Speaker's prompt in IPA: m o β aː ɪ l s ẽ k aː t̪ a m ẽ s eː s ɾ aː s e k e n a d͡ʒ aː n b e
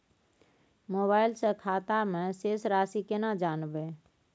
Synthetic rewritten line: m o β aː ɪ l s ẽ kʰ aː t̪ a m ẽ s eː s ɾ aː s i k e n a d͡ʒ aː n b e